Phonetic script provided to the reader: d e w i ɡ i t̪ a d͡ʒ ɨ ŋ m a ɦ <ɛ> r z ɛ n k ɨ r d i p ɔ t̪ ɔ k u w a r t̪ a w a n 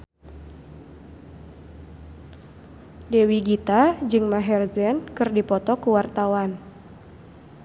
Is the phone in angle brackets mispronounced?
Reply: no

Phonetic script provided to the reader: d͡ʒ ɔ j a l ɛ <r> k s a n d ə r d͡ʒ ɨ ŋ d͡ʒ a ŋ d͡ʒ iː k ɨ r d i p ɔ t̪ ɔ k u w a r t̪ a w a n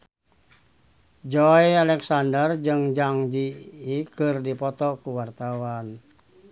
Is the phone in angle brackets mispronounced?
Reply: yes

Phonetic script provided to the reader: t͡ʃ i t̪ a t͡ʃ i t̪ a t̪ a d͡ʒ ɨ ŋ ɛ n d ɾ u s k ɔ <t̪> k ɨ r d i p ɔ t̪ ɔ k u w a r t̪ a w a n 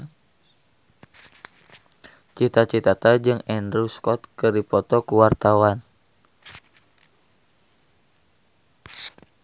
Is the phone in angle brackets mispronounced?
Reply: no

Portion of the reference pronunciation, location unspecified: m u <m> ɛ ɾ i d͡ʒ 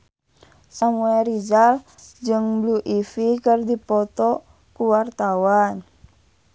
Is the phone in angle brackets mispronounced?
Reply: yes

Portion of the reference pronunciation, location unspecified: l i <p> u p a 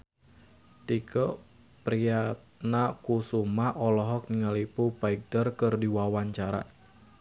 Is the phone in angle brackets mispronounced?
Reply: no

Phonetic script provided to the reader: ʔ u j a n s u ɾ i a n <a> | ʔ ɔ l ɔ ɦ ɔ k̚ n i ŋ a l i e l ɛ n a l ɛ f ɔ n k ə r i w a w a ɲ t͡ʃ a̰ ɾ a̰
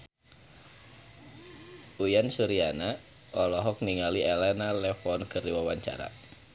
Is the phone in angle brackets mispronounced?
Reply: no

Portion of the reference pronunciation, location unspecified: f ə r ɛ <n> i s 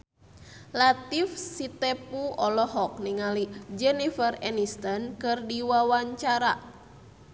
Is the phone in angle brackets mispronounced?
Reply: no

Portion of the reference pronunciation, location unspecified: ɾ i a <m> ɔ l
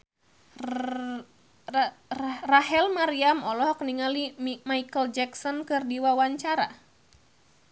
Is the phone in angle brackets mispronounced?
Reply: no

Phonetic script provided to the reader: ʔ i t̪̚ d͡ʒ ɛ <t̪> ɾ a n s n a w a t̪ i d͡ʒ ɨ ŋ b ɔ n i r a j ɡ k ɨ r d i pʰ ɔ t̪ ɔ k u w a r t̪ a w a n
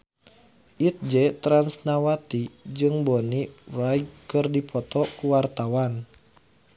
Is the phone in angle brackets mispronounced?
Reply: no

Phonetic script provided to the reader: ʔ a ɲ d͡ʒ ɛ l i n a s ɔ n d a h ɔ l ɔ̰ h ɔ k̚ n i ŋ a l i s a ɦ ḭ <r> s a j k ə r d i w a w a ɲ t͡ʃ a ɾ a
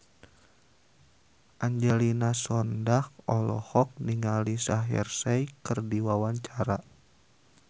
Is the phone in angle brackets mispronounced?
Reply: no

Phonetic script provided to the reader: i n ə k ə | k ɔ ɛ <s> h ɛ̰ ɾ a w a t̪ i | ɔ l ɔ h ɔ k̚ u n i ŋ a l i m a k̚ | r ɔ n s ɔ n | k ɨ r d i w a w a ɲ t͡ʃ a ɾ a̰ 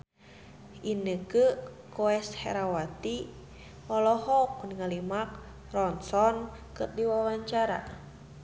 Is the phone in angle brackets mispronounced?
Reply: no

